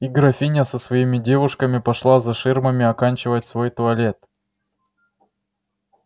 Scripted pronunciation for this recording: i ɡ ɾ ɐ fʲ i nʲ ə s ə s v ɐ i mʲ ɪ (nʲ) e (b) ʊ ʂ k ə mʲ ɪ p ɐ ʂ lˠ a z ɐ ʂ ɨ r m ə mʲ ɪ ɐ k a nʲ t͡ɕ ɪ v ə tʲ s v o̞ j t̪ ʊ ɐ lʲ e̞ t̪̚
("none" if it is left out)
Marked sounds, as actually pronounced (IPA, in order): dʲ, v

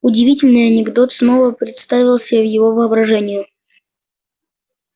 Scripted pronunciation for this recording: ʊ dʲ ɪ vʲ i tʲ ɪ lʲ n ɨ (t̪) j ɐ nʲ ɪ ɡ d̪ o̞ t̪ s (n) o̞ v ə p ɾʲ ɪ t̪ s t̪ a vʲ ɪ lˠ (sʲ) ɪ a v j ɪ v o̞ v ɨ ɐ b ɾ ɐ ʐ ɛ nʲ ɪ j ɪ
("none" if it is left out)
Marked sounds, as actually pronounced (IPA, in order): none, n, sʲ

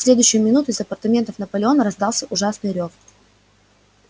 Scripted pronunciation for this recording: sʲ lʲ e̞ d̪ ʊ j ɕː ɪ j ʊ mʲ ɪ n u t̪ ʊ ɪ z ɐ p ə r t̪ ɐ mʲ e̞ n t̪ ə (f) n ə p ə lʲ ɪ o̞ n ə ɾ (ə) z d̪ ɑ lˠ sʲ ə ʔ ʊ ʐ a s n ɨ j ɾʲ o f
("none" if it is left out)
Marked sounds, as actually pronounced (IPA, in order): f, ɐ

